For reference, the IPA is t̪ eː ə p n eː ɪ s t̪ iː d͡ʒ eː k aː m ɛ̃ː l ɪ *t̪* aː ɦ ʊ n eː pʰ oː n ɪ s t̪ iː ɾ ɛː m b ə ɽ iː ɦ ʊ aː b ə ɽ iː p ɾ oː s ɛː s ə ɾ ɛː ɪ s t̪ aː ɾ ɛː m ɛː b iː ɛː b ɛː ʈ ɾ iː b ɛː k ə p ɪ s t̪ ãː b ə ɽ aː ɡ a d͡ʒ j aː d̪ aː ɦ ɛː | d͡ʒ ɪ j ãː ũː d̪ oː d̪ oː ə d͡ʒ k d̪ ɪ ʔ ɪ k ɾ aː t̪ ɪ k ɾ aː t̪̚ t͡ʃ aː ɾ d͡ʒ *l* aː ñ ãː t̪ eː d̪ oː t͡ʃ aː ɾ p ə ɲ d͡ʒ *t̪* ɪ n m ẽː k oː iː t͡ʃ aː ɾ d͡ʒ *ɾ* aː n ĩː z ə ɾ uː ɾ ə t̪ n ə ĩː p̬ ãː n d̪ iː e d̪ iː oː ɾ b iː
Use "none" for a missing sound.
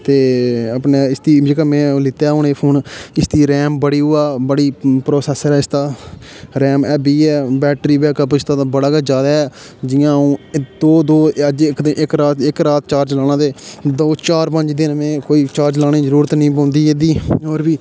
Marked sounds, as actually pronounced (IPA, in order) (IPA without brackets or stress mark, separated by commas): t̪, l, d̪, l